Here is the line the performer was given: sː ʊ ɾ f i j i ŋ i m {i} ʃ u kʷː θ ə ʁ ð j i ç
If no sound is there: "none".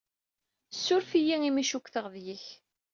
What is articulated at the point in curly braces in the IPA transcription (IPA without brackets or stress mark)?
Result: i